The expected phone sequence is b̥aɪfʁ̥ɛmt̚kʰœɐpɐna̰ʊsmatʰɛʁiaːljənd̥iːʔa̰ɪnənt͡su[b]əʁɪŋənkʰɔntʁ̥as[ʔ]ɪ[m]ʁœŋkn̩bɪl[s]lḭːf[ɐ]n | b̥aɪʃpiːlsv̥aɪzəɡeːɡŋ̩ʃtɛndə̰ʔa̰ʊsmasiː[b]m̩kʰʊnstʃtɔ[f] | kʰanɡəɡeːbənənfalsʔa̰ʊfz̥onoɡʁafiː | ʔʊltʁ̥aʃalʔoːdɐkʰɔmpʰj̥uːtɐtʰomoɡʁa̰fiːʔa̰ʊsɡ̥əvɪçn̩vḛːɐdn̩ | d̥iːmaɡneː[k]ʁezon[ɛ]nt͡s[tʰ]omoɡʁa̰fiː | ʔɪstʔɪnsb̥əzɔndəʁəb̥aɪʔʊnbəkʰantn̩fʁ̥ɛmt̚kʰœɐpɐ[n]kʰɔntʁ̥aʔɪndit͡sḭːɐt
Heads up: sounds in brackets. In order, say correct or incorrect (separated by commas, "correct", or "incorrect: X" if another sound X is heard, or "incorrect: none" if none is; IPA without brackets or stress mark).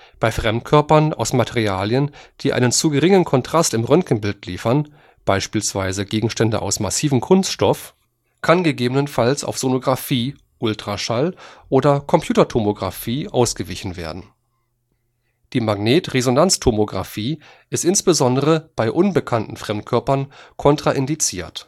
incorrect: ɡ, incorrect: t, correct, incorrect: t, correct, incorrect: v, correct, incorrect: t, incorrect: a, correct, correct